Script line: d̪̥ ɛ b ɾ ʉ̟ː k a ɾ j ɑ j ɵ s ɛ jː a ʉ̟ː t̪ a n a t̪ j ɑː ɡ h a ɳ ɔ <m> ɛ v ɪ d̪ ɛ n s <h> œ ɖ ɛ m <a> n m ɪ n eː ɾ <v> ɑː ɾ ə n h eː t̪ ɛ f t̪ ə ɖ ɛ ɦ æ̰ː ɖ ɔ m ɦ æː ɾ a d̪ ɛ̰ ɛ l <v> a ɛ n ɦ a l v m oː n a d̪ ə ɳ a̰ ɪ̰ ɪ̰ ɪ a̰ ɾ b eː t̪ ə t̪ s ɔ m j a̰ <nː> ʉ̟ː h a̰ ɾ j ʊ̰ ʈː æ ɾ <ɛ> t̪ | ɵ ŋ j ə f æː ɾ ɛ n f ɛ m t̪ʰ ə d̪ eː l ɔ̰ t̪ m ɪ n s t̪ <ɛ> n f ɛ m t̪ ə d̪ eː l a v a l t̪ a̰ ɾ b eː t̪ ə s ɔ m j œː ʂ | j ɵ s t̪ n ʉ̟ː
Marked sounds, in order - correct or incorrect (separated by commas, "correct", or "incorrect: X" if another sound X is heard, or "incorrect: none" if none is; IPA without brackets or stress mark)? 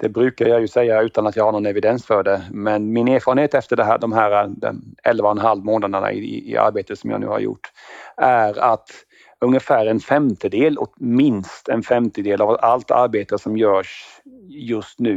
incorrect: n, incorrect: f, incorrect: ɛ, incorrect: f, correct, incorrect: n, incorrect: a, correct